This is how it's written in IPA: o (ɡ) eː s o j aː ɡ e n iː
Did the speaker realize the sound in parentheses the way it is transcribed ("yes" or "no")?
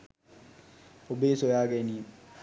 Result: no